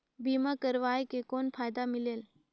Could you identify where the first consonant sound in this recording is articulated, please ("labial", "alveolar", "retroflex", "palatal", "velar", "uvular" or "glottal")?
labial